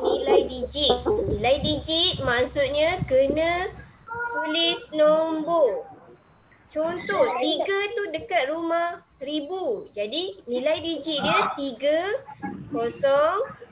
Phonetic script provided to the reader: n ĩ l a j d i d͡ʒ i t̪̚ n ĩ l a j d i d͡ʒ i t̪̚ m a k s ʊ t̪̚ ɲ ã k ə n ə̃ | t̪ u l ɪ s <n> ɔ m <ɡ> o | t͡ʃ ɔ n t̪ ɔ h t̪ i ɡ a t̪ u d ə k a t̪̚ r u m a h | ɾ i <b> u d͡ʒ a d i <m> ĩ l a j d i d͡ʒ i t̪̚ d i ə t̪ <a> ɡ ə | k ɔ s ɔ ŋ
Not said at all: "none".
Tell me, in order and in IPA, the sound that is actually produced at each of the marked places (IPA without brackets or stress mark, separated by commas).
n, b, b, n, i